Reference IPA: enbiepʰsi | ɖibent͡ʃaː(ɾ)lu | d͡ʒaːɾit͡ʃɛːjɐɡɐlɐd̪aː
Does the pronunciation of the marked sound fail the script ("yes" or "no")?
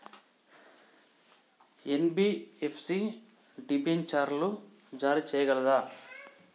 no